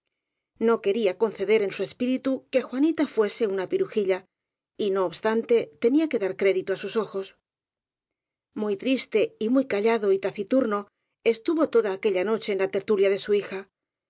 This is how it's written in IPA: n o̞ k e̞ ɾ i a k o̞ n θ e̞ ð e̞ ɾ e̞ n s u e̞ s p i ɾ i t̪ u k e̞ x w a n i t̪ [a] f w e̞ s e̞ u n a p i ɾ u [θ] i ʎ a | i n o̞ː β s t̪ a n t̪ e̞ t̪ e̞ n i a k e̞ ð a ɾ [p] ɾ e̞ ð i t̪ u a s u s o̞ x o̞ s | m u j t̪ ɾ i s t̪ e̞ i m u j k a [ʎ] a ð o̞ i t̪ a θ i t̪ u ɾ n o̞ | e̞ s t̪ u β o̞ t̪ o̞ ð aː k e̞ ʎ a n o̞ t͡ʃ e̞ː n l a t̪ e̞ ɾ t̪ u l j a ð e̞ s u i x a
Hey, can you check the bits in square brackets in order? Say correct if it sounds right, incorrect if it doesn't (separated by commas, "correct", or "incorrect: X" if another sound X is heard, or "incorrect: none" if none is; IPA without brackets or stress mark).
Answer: correct, incorrect: x, incorrect: k, correct